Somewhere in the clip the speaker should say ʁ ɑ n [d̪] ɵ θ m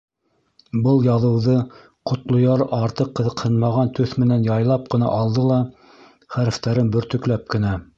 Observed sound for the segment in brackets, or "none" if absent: t̪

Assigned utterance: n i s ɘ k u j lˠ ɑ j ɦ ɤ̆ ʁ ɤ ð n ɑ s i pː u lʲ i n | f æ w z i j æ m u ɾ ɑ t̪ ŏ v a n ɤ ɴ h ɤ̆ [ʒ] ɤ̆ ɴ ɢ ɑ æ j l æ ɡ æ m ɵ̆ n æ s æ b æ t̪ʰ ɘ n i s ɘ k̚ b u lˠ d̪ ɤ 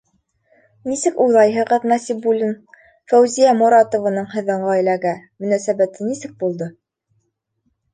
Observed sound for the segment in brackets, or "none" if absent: ð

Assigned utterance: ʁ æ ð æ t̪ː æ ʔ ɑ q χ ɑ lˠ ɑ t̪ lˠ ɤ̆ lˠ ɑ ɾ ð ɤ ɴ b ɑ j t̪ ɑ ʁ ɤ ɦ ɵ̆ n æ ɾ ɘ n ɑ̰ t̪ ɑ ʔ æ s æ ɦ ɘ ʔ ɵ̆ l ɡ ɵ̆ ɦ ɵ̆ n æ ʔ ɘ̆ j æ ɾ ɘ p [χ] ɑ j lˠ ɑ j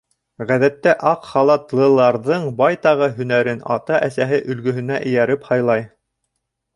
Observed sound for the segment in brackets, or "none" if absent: h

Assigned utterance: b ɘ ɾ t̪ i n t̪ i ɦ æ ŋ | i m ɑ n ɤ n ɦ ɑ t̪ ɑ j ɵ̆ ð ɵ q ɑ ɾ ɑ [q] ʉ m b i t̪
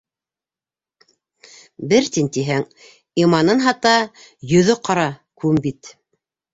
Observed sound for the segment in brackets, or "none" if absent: k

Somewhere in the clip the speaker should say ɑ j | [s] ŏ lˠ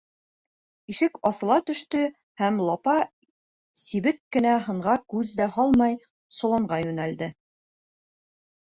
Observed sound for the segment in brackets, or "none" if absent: s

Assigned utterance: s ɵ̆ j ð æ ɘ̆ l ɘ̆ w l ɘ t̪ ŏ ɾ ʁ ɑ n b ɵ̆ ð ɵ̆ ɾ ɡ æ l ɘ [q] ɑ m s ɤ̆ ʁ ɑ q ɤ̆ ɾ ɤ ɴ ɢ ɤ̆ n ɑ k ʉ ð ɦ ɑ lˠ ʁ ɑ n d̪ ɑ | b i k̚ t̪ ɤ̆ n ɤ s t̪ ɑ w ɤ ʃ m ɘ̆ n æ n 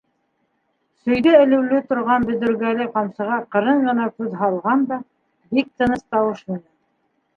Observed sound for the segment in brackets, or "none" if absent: q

